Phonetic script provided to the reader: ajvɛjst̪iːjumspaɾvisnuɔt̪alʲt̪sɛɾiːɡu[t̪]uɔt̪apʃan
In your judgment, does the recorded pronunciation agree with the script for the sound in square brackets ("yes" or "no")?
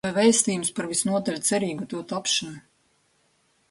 yes